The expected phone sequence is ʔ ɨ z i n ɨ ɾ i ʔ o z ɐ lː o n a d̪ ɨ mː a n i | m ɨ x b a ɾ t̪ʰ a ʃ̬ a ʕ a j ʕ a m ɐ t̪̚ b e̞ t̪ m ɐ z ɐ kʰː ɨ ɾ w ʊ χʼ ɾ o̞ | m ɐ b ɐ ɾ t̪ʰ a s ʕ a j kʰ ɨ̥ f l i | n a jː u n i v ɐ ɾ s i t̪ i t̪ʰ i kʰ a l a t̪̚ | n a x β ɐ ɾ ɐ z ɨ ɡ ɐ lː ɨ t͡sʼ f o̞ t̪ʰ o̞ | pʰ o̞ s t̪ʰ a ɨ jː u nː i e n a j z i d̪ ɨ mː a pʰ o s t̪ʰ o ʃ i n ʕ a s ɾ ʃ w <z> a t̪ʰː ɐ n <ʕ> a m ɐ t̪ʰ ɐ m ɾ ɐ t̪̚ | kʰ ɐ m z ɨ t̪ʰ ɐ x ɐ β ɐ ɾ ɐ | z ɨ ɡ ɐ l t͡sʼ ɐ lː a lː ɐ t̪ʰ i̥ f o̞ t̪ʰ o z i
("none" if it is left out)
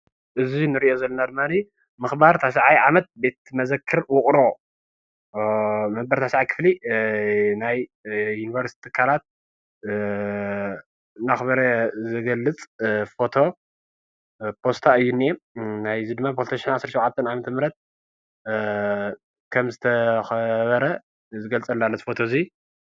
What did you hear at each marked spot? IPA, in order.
ʕ, ʕ

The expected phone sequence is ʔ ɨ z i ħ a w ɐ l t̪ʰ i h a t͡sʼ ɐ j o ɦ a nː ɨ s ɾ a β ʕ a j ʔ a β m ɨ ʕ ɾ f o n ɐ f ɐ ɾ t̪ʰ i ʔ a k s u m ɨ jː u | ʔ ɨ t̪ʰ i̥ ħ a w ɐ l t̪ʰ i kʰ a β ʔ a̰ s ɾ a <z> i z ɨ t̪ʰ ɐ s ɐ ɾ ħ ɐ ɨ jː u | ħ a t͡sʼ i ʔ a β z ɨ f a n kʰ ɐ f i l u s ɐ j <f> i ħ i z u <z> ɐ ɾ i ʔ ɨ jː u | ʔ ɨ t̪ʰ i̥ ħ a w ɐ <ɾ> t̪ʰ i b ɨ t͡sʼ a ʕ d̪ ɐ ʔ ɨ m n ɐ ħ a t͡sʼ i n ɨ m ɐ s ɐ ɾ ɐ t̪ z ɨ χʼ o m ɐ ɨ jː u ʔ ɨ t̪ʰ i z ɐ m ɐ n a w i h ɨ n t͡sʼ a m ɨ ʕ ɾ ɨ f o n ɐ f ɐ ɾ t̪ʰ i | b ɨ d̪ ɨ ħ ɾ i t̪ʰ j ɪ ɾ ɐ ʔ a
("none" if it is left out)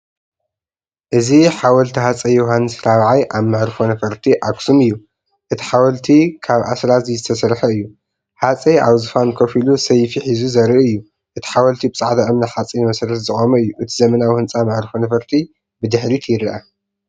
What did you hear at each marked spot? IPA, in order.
z, f, z, l

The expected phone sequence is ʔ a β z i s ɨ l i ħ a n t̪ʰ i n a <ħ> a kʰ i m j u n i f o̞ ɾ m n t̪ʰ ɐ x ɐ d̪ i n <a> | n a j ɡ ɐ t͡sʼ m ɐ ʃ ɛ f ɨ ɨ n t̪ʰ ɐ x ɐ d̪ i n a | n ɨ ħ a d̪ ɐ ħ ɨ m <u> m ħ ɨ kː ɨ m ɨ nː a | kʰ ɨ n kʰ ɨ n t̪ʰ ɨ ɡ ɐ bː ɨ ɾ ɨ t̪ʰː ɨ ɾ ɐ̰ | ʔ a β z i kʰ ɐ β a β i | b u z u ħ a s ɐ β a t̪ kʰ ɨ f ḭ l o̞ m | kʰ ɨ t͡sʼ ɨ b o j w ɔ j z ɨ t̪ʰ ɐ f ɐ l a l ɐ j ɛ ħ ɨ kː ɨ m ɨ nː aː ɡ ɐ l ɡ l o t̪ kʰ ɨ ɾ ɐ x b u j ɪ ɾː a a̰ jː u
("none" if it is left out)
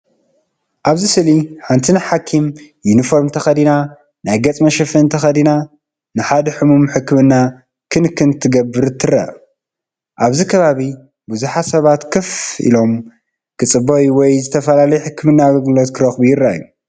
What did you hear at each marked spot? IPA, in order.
ħ, a, u

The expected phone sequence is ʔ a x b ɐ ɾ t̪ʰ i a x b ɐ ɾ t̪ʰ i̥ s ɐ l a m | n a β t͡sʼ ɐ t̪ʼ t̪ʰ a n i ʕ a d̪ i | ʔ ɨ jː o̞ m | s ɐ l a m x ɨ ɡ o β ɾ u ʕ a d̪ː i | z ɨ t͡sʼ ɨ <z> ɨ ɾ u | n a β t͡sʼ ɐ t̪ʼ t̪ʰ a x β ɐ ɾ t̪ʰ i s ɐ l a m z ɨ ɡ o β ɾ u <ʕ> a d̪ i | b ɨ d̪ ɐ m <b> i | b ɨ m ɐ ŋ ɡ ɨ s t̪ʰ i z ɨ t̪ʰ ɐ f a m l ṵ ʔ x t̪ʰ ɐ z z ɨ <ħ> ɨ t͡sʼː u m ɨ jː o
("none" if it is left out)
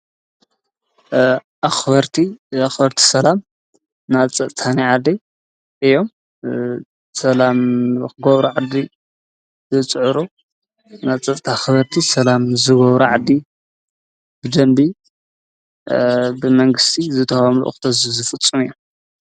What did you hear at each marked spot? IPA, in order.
ʕ, ʕ, b, f

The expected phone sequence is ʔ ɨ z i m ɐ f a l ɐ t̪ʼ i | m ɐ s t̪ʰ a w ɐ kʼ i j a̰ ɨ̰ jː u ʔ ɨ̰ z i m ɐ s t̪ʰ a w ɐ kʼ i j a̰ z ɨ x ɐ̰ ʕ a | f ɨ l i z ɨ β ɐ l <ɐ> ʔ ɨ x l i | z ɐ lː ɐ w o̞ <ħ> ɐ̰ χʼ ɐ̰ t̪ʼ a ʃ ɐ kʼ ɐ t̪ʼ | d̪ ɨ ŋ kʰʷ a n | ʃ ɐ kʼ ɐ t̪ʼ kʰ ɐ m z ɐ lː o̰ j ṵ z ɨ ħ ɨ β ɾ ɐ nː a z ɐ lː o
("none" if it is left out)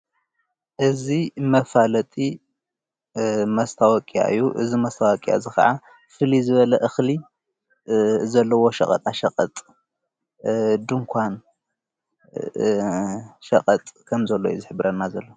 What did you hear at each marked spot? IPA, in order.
ɐ, ʃ

